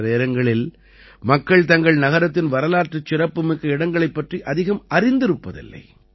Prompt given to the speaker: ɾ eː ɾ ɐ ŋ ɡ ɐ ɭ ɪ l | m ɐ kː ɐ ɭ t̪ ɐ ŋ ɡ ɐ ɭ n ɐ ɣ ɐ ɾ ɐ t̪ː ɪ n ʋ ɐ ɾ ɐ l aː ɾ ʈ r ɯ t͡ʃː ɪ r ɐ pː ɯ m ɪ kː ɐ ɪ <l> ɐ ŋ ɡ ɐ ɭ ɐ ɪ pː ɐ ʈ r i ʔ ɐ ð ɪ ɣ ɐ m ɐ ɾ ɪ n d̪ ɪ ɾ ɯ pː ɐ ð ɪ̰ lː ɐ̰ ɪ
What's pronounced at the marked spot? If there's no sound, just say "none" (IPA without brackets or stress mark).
ɽ